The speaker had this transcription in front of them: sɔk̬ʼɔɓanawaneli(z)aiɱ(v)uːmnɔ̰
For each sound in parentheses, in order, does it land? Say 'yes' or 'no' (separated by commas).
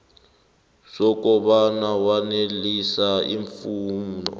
no, no